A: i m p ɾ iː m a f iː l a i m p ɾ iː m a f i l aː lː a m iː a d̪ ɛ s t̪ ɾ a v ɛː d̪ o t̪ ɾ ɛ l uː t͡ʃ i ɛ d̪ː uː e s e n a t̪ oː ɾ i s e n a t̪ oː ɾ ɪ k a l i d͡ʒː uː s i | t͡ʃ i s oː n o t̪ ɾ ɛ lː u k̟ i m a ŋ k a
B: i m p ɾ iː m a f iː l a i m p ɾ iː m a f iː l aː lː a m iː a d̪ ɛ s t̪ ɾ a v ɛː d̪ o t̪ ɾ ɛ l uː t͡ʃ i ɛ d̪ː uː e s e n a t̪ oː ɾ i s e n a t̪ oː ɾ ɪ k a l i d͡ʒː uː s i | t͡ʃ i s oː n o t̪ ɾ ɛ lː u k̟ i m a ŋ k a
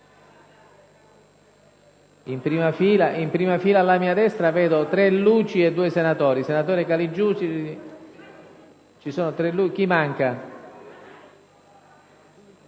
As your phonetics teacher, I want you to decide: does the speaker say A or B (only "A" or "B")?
B